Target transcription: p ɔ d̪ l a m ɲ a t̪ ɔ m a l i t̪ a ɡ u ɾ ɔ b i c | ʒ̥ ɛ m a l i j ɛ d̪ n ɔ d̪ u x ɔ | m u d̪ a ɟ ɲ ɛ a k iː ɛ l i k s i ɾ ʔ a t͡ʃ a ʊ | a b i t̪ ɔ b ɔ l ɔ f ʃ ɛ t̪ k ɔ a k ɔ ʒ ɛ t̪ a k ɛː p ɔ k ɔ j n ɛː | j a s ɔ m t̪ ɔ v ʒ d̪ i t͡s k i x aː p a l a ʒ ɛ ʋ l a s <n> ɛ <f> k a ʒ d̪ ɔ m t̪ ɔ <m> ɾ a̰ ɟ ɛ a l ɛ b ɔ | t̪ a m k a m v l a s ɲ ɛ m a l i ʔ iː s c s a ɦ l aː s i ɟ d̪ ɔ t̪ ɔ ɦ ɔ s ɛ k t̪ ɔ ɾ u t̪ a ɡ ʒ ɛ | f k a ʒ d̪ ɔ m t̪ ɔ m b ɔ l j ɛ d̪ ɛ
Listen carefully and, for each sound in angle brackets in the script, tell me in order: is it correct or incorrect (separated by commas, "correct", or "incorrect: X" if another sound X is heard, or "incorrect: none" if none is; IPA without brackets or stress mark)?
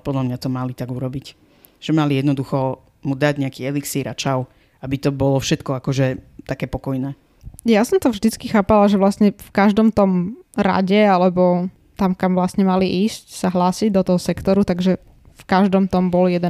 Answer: incorrect: ɲ, correct, correct